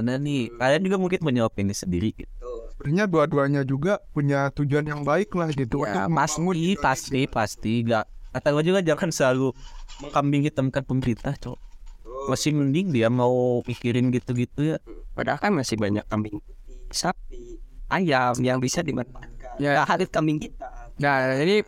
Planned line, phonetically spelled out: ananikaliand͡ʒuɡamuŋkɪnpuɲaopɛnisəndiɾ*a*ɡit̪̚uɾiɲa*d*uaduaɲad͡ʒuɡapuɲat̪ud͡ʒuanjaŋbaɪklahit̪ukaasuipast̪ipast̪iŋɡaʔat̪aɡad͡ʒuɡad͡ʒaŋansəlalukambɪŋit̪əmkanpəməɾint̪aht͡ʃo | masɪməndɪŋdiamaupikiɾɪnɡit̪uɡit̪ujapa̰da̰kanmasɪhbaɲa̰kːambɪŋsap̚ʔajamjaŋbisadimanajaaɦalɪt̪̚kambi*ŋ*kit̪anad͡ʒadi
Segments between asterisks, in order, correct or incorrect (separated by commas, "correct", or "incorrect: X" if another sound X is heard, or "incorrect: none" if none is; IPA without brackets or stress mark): incorrect: i, correct, correct